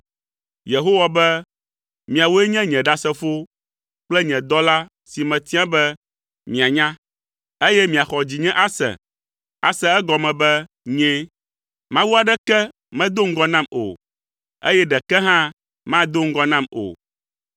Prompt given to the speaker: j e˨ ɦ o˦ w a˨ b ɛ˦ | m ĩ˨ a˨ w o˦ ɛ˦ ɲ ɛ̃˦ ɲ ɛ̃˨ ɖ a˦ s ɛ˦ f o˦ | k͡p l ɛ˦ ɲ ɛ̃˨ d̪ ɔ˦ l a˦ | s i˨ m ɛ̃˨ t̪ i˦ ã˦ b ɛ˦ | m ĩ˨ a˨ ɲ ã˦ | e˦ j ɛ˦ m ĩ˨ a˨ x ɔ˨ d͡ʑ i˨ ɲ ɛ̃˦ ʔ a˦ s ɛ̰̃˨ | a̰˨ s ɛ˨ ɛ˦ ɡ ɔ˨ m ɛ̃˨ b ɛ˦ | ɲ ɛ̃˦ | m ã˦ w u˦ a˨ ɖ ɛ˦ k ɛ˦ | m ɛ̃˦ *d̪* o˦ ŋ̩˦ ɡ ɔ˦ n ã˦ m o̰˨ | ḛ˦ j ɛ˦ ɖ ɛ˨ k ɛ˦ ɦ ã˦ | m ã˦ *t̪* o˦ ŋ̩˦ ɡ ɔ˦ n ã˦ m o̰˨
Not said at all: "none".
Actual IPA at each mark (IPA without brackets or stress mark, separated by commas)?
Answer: d̪, d̪